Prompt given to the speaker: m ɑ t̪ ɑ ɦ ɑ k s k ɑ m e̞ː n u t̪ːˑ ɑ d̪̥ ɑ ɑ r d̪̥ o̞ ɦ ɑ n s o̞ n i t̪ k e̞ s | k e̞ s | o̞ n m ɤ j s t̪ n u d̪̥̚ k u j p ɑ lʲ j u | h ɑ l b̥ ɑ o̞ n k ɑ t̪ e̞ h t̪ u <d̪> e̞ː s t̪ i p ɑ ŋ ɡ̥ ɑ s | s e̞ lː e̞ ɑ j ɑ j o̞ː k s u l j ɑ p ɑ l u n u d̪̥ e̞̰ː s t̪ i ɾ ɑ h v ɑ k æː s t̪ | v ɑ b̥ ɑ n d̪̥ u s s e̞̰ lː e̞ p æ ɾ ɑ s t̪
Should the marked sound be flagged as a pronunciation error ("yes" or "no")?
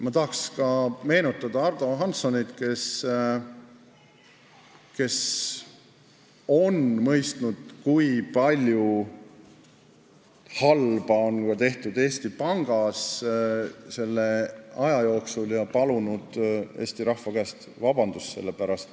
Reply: no